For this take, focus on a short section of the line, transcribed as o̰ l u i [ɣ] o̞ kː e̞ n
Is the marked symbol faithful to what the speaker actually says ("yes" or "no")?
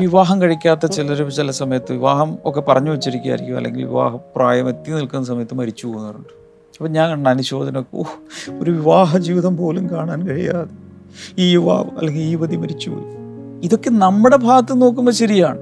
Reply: no